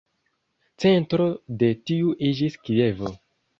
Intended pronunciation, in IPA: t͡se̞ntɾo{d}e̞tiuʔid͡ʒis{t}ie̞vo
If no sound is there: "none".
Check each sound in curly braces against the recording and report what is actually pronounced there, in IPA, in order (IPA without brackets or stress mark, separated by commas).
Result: d, k